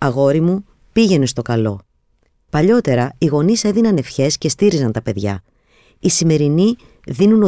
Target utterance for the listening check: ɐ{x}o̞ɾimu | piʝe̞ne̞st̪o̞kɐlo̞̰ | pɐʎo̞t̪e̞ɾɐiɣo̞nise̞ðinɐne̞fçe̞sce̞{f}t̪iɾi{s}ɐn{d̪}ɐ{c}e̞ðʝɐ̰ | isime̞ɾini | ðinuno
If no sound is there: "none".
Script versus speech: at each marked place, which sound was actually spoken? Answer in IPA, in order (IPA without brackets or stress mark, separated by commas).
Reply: ɣ, s, z, t̪, p